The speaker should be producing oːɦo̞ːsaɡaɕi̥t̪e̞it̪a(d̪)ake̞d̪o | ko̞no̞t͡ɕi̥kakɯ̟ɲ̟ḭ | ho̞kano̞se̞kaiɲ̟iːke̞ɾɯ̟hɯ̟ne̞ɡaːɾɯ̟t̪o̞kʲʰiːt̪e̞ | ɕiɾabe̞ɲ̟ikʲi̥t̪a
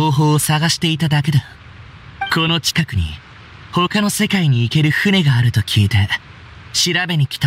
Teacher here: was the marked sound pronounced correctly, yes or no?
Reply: yes